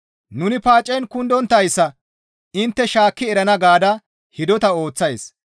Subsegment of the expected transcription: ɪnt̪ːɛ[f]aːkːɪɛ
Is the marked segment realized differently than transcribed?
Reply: yes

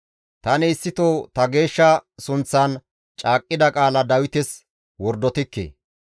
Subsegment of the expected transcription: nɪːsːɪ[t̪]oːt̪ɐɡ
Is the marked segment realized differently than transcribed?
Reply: no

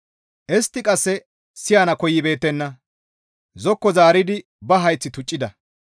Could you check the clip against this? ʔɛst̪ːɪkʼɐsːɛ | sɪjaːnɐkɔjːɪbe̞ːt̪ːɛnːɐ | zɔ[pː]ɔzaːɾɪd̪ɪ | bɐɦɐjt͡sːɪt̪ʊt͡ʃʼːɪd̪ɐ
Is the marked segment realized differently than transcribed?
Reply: yes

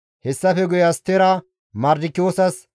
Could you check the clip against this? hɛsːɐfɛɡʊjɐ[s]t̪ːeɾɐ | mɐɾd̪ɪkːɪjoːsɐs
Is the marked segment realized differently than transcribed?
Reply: no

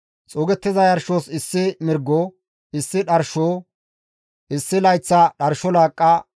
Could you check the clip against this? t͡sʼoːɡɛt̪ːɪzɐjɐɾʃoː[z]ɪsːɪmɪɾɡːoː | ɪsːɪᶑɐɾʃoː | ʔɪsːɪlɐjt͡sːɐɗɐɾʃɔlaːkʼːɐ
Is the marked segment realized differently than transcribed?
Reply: yes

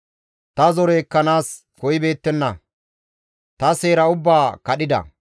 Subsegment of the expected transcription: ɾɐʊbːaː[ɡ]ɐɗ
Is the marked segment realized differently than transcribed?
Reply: yes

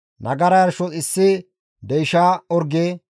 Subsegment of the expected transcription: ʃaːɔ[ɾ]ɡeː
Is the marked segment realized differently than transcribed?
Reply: no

